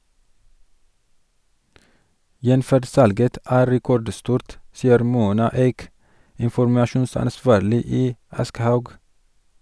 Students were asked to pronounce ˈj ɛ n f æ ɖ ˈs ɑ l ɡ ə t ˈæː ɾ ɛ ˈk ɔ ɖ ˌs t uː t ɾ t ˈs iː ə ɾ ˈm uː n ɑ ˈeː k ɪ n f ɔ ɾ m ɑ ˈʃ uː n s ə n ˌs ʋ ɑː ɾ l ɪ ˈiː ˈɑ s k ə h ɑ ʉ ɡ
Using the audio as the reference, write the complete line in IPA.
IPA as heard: ˈj ɛ n f æ ɖ ˈs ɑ l ɡ ə t ˈæː ɾ ɛ ˈk ɔ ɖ ˌs t uː ɾ t ˈs iː ə ɾ ˈm uː n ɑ ˈeː k ɪ n f ɔ ɾ m ɑ ˈʃ uː n s ɑ n ˌs ʋ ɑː ɾ l ɪ ˈiː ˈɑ s k ə h ɑ ʉ ɡ